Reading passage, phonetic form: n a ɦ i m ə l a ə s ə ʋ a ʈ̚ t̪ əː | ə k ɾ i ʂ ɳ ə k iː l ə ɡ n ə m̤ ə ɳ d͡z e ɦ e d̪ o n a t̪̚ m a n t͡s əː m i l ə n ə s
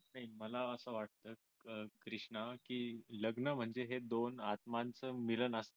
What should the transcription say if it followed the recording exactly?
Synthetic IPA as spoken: n a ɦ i m ə l a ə s ə ʋ a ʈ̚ t̪ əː | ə k ɾ i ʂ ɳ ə k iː l ə ɡ n ə m̤ ə ɳ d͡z e ɦ e d̪ o n a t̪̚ m a n t͡s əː m i l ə n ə s